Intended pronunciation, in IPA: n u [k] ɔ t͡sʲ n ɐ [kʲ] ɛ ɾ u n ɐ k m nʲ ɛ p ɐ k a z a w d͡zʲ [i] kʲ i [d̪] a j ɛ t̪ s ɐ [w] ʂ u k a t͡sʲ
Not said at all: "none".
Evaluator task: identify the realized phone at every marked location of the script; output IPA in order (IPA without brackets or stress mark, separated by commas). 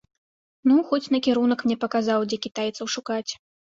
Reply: x, kʲ, ɛ, t̪, w